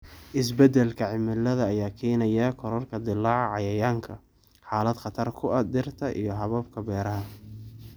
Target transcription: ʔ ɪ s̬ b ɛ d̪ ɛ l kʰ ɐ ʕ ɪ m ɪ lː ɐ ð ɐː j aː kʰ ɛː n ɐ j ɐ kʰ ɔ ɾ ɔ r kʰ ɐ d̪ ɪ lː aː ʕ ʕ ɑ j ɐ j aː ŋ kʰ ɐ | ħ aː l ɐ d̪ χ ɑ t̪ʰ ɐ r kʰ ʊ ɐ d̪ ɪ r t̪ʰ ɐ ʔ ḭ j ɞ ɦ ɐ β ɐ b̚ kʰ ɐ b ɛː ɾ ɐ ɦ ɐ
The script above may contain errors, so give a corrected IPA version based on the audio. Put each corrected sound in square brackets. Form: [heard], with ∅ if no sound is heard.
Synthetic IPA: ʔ ɪ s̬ b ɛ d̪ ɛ l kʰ ɐ ʕ ɪ m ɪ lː ɐ ð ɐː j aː kʰ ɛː n ɐ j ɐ kʰ ɔ ɾ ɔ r kʰ ɐ d̪ ɪ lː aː ʕ ʕ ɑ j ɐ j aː ŋ kʰ ɐ | ħ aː l ɐ d̪ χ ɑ t̪ʰ ɐ r kʰ ʊ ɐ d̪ ɪ r t̪ʰ ɐ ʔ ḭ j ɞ ɦ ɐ β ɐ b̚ kʰ ɐ b ɛː ɾ ɐ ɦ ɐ